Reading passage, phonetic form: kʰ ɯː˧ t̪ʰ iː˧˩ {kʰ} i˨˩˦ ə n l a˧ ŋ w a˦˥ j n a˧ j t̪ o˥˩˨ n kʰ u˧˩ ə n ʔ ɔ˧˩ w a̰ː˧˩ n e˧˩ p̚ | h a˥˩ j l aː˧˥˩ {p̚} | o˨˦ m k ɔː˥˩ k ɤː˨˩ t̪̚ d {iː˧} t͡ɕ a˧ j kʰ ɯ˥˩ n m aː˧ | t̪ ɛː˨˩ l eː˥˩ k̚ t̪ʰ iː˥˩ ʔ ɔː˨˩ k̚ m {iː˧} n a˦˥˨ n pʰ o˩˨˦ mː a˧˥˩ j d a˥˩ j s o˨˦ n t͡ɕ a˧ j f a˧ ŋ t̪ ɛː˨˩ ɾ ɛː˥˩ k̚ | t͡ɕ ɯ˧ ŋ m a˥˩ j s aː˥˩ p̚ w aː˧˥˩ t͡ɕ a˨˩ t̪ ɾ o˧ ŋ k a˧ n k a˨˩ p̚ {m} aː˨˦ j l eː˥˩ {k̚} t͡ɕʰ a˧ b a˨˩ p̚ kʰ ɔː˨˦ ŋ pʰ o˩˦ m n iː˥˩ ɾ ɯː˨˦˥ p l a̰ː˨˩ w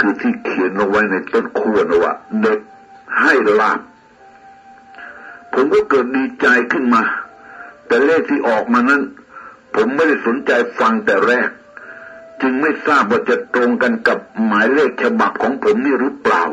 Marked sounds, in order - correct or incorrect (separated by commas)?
correct, correct, correct, incorrect, correct, correct